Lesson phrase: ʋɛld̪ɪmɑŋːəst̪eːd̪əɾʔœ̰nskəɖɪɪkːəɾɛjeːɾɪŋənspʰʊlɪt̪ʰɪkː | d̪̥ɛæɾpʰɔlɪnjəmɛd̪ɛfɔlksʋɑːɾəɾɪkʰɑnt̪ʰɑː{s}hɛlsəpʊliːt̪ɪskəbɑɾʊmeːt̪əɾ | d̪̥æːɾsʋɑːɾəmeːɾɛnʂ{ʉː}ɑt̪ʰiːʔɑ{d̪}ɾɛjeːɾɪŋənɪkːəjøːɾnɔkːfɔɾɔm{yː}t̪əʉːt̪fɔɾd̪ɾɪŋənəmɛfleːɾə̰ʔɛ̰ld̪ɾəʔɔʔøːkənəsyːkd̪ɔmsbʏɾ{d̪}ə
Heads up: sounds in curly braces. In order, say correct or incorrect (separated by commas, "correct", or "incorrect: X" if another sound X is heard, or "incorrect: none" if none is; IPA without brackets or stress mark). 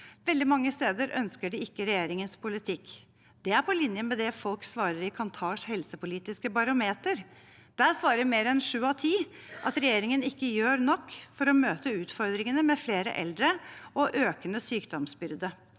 incorrect: ʂ, correct, incorrect: t̪, incorrect: øː, correct